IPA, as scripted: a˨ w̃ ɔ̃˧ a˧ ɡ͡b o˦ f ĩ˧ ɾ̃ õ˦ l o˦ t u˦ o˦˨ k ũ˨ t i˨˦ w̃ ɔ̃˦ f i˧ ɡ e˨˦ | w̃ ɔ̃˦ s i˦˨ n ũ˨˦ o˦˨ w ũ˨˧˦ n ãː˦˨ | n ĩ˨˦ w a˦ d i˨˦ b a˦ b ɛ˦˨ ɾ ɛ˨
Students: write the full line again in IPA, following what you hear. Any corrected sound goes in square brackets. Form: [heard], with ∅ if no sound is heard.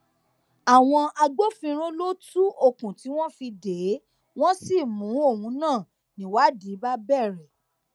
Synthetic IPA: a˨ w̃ ɔ̃˧ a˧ ɡ͡b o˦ f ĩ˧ ɾ̃ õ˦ l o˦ t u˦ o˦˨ k ũ˨ t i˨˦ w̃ ɔ̃˦ f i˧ [d] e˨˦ | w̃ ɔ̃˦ s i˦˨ [m] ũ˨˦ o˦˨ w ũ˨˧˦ n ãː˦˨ | n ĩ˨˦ w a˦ d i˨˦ b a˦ b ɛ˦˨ ɾ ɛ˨